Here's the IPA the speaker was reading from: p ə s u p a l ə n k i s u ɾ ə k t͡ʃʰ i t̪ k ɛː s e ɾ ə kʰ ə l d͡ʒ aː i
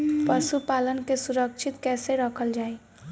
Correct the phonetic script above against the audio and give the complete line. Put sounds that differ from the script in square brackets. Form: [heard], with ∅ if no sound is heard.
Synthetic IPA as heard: p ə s u p a l ə n k [e] s u ɾ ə k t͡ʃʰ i t̪ k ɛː s e ɾ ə kʰ ə l d͡ʒ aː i

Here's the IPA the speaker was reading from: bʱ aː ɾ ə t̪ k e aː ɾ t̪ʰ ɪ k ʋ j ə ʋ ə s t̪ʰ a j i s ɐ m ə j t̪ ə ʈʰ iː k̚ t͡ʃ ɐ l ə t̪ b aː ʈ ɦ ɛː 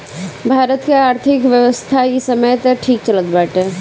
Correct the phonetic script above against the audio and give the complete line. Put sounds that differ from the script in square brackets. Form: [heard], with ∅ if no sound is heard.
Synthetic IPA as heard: bʱ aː ɾ ə t̪ k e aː ɾ t̪ʰ ɪ k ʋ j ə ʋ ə s t̪ʰ a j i s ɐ m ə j t̪ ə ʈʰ iː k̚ t͡ʃ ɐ l ə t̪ b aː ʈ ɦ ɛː

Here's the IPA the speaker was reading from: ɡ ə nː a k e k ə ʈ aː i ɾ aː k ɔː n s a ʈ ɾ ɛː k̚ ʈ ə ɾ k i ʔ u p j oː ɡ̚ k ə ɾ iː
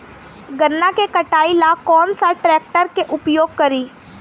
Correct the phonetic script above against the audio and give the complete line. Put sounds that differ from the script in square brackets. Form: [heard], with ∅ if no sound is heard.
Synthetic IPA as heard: ɡ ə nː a k e k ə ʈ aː i [l] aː k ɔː n s a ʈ ɾ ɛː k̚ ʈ ə ɾ k [e] ʔ [ʊ] p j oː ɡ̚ k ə ɾ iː

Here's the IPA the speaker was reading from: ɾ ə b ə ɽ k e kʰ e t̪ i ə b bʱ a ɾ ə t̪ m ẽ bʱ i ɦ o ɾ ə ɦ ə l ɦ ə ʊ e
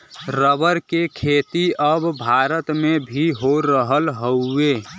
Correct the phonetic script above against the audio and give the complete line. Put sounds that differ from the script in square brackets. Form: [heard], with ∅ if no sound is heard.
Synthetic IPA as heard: ɾ ə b ə [ɾ] k e kʰ e t̪ i ə b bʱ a ɾ ə t̪ m [e] bʱ i ɦ o ɾ ə ɦ ə l ɦ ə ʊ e

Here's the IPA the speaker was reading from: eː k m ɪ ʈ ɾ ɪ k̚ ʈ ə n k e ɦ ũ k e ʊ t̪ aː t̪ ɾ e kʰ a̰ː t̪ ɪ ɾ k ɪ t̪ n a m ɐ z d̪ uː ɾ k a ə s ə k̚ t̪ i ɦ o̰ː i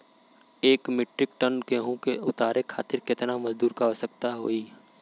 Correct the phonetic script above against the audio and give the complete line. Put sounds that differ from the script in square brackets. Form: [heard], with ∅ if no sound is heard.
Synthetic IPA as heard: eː k m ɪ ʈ ɾ ɪ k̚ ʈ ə n k e ɦ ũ k e ʊ t̪ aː [∅] ɾ e kʰ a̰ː t̪ ɪ ɾ k ɪ t̪ n a m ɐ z d̪ uː ɾ k a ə s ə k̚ t̪ [a] ɦ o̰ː i

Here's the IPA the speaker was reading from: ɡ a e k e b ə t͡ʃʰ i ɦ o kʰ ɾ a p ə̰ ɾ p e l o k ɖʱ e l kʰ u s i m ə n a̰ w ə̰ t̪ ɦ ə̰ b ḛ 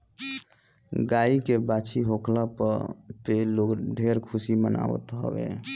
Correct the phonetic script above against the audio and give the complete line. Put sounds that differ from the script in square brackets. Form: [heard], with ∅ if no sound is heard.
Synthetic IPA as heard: ɡ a [i] k e b [a] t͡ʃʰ i ɦ o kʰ [l] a p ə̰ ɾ p e l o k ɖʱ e [ɾ] kʰ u s i m ə n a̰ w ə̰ t̪ ɦ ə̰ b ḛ

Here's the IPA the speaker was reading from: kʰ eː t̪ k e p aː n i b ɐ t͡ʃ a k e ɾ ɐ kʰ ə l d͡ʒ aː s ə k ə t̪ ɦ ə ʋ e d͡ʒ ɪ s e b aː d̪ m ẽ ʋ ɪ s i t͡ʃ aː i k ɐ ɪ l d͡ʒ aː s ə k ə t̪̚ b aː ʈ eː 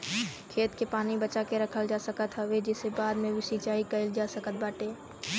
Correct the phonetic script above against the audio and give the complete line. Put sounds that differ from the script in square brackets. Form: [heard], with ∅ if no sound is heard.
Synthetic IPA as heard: kʰ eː t̪ k e p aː n i b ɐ t͡ʃ a k e ɾ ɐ kʰ ə l d͡ʒ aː s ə k ə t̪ ɦ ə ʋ e d͡ʒ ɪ s e b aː d̪ m ẽ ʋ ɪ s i t͡ʃ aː i k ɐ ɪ l d͡ʒ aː s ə k ə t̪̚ b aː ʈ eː

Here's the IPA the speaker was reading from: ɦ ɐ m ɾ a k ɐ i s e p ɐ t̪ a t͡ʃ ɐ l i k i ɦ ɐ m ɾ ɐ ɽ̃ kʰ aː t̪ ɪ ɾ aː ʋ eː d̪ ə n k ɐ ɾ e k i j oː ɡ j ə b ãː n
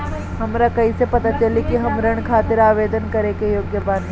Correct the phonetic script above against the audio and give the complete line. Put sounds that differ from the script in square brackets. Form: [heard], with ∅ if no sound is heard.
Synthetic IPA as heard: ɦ ɐ m ɾ a k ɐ i s e p ɐ t̪ a t͡ʃ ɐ l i k i ɦ ɐ m ɾ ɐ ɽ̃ kʰ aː t̪ ɪ ɾ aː ʋ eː d̪ ə n k ɐ ɾ e k [e] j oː ɡ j ə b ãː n

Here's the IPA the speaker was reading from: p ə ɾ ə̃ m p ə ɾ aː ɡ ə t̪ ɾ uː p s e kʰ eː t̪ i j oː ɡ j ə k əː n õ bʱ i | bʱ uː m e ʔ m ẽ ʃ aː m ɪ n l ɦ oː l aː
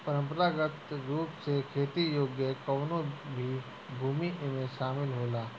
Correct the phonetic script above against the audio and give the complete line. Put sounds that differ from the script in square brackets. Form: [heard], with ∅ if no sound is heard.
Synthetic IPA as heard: p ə ɾ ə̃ m p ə ɾ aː ɡ ə t̪ ɾ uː p s e kʰ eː t̪ i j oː ɡ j ə k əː n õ bʱ i | bʱ uː m [i] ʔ m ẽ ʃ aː m ɪ [∅] l ɦ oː l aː

